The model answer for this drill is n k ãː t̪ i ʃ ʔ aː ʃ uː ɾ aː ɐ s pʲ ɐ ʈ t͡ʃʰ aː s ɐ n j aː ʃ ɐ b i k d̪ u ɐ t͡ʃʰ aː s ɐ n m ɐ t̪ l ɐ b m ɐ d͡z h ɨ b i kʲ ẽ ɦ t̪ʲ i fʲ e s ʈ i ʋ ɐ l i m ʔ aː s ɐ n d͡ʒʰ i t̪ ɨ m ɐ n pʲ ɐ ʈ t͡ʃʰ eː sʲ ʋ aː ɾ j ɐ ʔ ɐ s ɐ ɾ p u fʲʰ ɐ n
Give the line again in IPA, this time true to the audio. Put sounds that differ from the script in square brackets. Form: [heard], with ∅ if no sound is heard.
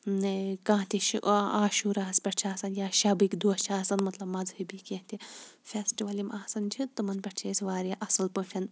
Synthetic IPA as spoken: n k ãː t̪ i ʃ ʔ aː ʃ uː ɾ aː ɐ s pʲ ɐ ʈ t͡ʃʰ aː s ɐ n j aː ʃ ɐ b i k d̪ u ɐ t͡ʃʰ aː s ɐ n m ɐ t̪ l ɐ b m ɐ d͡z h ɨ b i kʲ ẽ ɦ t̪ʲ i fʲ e s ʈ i ʋ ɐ l i m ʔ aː s ɐ n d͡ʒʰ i t̪ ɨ m ɐ n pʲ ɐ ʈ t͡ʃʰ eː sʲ ʋ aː ɾ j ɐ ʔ ɐ s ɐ [l] p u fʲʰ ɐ n